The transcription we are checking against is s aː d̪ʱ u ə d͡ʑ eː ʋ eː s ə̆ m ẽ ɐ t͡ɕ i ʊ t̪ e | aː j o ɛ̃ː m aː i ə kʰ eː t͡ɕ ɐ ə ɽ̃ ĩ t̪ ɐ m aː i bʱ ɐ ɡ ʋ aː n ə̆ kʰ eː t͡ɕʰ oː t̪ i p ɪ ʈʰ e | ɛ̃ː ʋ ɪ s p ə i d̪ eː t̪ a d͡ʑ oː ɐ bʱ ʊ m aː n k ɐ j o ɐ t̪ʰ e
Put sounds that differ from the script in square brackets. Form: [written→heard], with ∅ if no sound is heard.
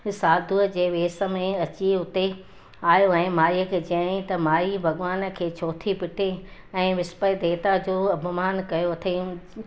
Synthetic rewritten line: s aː d̪ʱ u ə d͡ʑ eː ʋ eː s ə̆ m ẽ ɐ t͡ɕ i ʊ t̪ e | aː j o ɛ̃ː m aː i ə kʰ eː t͡ɕ ɐ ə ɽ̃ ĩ t̪ ɐ m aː i bʱ ɐ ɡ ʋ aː n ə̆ kʰ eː t͡ɕʰ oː [t̪→t̪ʰ] i p ɪ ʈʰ e | ɛ̃ː ʋ ɪ s p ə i d̪ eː t̪ a d͡ʑ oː ɐ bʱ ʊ m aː n k ɐ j o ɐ t̪ʰ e